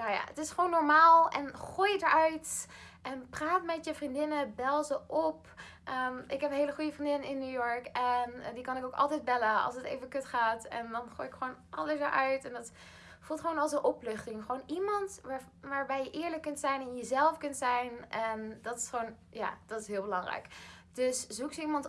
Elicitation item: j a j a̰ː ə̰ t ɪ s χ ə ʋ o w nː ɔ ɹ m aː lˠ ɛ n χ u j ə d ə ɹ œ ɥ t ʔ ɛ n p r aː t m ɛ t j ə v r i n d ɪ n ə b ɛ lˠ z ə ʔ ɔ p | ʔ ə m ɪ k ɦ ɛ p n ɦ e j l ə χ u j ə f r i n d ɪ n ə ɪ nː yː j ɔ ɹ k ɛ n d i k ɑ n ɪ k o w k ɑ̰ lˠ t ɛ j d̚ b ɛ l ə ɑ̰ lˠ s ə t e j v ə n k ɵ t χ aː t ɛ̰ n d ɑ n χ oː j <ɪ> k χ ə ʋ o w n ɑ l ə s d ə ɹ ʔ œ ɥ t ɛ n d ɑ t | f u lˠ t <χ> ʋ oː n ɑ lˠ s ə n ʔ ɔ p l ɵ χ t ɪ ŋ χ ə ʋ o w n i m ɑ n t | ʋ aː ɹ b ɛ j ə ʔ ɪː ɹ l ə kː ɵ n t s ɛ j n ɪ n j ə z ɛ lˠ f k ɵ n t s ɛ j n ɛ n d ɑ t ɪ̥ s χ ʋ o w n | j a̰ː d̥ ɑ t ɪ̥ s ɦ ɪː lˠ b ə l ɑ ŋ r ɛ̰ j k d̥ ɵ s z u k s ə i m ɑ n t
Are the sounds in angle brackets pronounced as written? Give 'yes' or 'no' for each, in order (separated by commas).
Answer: yes, yes